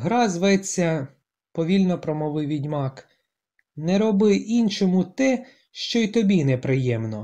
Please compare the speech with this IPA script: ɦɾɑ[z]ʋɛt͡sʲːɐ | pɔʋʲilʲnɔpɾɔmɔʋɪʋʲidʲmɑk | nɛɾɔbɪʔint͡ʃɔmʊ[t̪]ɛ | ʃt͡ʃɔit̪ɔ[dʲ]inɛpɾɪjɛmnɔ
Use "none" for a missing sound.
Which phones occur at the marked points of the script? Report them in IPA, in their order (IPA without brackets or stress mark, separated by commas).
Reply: z, t̪, bʲ